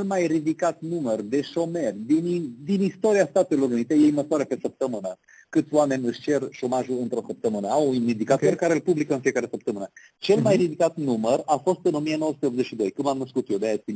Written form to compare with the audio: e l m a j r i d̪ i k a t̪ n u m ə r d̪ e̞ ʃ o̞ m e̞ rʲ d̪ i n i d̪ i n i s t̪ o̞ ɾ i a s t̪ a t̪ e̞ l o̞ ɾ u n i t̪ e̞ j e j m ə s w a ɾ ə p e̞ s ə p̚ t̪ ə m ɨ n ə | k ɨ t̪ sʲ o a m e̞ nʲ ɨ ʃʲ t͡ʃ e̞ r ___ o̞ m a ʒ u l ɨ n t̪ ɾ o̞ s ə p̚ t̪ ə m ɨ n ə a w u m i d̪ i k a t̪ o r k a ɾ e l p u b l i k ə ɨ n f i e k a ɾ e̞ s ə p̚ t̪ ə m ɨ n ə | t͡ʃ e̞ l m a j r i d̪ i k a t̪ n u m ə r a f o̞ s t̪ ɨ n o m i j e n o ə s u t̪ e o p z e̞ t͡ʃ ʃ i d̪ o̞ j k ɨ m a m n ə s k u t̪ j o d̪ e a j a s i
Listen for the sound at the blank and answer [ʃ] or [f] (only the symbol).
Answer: ʃ